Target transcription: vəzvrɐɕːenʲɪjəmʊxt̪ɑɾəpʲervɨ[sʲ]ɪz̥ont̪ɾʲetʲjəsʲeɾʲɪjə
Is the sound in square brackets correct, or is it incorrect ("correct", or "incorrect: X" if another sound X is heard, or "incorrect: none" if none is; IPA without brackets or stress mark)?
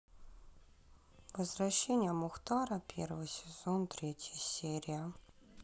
correct